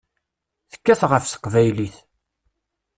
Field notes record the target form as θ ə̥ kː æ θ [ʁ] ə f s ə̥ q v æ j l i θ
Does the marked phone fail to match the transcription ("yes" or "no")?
no